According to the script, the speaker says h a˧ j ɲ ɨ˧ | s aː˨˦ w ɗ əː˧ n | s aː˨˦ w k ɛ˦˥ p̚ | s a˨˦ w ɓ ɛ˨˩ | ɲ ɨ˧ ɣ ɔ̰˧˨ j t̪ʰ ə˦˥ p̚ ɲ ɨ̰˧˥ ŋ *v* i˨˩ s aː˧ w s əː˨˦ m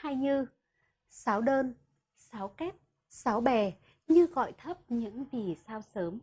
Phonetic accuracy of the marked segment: correct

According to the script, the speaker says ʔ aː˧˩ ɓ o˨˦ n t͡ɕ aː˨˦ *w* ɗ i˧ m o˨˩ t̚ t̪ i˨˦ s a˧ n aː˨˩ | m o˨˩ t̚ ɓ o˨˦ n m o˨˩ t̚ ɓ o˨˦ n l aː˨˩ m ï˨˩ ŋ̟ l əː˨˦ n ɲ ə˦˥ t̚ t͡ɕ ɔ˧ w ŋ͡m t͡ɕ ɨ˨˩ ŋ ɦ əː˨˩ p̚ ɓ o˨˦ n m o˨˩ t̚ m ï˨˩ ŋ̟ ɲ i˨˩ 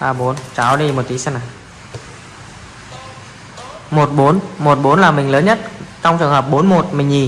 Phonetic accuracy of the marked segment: correct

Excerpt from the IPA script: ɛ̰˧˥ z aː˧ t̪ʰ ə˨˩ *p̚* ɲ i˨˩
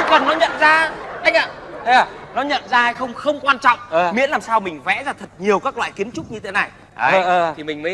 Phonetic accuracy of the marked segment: incorrect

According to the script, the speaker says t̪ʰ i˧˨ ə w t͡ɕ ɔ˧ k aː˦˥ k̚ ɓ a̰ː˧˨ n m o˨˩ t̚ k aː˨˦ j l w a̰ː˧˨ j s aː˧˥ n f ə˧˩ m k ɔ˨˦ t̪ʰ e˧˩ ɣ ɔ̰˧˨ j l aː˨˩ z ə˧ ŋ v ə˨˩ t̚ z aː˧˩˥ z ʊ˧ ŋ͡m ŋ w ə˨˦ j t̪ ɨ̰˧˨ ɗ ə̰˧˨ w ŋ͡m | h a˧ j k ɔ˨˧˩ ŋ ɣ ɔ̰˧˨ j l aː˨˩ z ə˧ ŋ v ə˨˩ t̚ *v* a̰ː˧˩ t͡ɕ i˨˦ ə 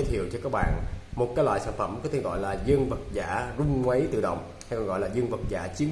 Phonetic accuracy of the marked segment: incorrect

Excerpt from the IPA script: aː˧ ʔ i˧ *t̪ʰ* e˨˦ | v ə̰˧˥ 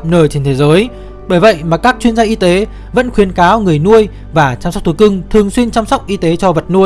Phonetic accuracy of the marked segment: incorrect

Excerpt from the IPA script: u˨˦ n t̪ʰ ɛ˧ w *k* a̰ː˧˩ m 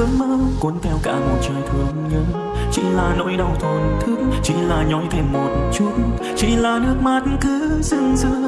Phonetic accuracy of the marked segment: correct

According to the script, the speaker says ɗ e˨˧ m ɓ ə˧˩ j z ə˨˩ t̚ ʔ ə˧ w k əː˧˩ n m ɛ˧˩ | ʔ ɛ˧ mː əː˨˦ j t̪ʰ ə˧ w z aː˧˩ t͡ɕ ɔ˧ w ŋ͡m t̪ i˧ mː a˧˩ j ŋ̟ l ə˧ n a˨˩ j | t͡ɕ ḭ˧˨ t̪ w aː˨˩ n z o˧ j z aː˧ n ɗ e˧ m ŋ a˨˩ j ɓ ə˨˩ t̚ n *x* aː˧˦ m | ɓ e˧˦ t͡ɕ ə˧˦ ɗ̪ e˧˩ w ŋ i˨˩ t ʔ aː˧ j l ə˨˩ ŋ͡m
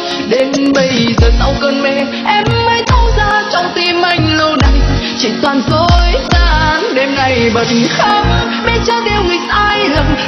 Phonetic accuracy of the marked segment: correct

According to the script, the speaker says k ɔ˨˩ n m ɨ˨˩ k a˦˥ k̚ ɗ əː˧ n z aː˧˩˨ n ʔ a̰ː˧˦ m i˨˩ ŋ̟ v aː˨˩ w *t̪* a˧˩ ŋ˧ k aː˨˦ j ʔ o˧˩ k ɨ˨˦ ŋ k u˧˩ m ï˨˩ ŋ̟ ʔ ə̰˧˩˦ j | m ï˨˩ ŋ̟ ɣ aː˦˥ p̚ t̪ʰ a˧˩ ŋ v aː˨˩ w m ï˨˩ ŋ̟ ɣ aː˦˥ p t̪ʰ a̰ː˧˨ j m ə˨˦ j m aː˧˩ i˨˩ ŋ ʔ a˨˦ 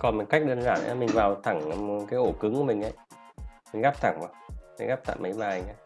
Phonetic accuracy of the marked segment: incorrect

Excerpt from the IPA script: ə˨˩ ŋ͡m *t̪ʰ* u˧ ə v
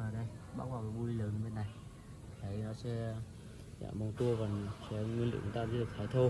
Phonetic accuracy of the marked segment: incorrect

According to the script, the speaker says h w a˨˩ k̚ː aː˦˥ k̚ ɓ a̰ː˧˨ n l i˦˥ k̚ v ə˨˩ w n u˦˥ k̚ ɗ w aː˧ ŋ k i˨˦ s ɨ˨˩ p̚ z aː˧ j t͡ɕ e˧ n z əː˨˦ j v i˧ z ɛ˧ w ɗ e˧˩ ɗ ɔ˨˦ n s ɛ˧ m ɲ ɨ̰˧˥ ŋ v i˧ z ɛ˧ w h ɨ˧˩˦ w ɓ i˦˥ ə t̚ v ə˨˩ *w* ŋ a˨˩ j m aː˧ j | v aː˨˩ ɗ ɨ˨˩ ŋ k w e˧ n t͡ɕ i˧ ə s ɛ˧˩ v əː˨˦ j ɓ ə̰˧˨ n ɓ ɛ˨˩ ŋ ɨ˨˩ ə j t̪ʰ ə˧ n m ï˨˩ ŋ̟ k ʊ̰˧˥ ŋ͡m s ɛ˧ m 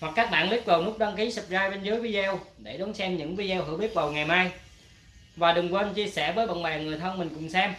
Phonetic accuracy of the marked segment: correct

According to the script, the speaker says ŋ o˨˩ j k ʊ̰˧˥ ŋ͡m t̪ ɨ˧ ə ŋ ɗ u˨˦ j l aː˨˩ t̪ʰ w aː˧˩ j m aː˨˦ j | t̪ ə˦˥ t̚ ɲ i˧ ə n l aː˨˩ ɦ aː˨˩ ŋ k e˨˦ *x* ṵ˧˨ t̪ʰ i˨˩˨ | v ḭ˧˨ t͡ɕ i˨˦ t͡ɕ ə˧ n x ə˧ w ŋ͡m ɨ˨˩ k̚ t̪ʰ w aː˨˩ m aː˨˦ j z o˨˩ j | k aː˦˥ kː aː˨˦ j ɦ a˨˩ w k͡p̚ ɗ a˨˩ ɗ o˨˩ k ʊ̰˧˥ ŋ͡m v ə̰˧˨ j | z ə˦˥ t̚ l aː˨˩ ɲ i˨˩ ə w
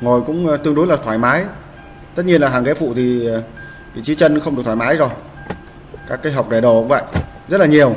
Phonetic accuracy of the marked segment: incorrect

